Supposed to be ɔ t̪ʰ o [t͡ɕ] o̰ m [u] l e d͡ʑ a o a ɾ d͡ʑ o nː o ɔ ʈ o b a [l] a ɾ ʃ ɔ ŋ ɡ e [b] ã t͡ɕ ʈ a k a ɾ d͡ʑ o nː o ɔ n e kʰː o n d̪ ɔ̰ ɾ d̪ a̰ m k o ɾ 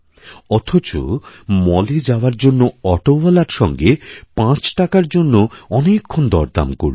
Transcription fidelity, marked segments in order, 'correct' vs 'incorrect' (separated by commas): correct, incorrect, correct, incorrect